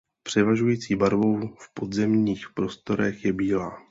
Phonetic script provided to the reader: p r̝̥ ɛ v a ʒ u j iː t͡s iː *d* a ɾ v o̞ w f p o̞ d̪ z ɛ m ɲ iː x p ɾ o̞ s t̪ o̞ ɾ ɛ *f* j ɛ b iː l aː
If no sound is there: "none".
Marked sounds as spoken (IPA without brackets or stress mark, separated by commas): b, x